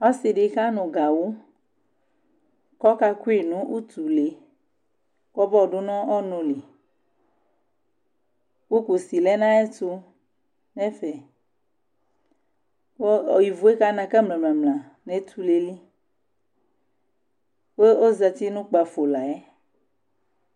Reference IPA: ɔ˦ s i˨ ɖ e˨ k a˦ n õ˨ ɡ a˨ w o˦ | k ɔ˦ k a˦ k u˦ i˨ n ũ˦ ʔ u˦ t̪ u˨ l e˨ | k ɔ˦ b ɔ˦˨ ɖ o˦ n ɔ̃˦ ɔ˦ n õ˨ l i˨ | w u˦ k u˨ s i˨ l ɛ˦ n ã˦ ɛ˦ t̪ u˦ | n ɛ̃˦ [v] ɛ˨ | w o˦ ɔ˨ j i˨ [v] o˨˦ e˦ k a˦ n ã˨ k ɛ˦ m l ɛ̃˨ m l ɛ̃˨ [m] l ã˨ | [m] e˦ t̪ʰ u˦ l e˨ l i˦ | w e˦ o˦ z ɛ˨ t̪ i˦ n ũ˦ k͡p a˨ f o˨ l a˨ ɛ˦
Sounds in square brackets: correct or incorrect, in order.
incorrect: f, correct, correct, incorrect: n

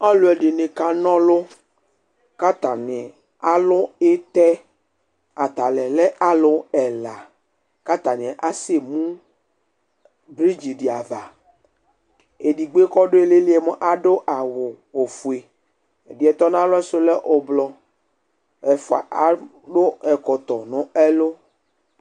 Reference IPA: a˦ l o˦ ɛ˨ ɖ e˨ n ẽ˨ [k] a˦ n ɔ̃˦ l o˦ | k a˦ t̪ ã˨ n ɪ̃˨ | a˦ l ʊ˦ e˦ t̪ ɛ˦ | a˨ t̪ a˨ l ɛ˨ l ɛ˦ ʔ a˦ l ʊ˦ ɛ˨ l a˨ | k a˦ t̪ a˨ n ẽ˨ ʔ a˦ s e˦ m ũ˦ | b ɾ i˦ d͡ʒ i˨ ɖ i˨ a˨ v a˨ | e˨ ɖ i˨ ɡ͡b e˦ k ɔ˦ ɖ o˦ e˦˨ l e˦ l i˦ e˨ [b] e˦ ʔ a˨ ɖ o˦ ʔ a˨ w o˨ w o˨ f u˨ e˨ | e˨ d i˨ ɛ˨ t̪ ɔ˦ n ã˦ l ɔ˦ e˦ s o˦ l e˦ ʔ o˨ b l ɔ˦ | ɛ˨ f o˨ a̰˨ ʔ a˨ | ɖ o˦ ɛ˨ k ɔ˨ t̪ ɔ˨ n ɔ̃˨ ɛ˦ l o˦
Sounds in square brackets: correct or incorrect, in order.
correct, incorrect: m

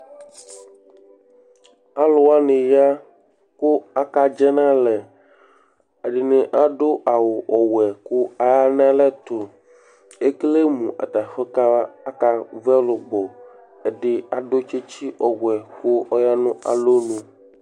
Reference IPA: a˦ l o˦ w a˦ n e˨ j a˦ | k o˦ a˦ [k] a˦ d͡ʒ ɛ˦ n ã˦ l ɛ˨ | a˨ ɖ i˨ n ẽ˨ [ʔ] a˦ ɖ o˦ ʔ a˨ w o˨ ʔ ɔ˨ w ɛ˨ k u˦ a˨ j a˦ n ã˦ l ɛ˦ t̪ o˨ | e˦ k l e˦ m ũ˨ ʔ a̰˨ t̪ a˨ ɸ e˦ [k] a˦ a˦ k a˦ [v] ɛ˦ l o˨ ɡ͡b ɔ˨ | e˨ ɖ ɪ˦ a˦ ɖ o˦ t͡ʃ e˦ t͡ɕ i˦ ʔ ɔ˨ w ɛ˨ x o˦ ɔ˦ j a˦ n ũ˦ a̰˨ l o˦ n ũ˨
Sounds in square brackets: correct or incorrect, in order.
correct, correct, correct, correct

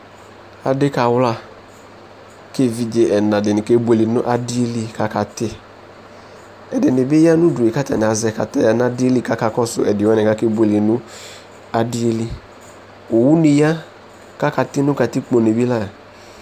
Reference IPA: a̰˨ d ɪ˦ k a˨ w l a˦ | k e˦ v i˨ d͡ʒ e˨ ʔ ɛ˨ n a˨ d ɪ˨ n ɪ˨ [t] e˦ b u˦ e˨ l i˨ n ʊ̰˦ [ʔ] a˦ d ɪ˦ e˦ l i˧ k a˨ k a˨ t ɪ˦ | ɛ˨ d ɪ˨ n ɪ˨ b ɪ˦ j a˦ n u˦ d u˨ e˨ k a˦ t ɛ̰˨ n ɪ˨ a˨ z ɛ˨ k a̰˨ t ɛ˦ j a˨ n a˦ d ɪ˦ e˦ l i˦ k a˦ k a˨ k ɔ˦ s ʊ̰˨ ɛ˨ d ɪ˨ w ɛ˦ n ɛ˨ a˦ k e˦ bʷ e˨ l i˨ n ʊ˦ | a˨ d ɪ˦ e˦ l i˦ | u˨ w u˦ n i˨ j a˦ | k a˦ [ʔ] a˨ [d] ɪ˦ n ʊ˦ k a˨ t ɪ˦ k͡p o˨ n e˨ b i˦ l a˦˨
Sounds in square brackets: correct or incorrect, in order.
incorrect: k, correct, incorrect: k, incorrect: t

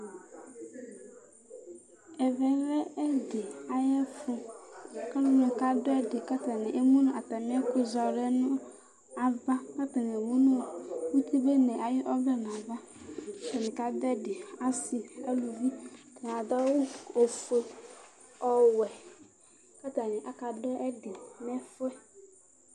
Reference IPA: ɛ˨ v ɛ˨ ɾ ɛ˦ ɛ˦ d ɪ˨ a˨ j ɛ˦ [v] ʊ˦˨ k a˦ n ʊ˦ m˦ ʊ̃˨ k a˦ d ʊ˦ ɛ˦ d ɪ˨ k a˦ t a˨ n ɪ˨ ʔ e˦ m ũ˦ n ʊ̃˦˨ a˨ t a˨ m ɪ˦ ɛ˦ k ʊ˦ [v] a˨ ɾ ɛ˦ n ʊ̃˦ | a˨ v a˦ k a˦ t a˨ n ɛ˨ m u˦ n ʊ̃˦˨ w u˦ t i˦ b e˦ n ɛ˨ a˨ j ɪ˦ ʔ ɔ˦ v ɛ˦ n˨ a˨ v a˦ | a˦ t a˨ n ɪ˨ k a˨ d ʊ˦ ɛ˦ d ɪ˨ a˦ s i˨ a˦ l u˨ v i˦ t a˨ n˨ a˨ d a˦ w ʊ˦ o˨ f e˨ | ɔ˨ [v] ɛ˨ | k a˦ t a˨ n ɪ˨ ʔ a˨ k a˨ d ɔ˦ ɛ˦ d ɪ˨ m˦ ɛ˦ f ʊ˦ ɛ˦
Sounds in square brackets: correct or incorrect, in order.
incorrect: f, incorrect: z, incorrect: w

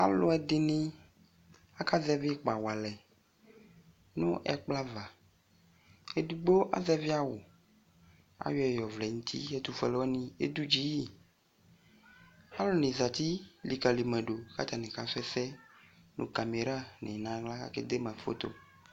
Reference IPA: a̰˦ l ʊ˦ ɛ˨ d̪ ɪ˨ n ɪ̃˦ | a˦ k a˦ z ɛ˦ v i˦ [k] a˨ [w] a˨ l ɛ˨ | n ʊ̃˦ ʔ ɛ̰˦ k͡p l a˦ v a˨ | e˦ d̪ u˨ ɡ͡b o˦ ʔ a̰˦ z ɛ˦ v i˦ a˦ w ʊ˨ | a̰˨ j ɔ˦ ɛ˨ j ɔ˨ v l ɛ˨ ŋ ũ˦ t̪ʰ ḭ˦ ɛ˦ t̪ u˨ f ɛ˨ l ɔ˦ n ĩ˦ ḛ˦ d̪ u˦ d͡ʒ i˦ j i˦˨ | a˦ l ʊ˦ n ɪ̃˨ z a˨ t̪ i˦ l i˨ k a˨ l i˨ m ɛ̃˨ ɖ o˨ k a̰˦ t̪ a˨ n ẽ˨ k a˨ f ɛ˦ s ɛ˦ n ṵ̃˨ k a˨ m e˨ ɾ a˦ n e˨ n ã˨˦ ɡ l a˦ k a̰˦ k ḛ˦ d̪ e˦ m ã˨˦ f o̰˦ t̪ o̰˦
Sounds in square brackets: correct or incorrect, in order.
incorrect: k͡p, correct

